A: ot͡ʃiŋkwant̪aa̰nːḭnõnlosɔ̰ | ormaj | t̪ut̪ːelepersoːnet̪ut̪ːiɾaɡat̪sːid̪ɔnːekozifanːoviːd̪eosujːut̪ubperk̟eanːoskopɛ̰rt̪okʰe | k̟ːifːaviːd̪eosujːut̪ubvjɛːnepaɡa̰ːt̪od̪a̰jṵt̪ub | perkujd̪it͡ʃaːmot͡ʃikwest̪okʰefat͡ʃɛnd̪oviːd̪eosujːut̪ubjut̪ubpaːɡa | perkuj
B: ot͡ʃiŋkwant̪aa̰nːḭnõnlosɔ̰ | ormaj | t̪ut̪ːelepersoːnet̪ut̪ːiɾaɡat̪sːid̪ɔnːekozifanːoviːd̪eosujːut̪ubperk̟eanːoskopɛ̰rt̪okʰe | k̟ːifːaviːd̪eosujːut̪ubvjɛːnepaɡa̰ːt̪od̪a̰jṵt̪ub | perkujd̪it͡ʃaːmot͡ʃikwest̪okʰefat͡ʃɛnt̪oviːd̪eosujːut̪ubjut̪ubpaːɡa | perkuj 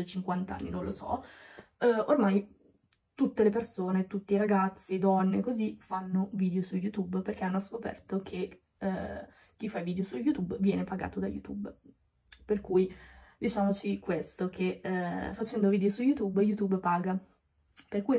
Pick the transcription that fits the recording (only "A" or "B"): A